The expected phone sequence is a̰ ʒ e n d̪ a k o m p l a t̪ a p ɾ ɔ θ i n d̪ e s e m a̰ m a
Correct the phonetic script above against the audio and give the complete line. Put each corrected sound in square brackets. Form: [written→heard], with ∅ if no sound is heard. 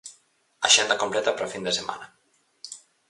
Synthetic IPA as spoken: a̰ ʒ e n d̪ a k o m p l [a→ɛ] t̪ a p ɾ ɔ [θ→f] i n d̪ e s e m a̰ [m→n] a